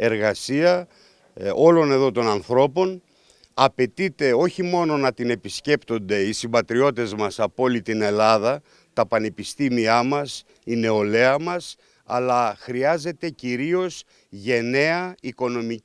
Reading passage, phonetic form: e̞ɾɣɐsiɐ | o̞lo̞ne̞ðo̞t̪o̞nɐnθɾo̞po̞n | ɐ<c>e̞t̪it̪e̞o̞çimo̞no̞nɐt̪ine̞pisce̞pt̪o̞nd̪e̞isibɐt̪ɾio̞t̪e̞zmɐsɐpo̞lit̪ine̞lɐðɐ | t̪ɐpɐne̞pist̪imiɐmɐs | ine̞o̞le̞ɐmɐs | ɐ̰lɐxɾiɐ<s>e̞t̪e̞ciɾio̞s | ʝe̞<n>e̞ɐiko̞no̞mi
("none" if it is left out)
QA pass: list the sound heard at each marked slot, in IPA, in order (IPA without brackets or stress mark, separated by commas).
p, z, n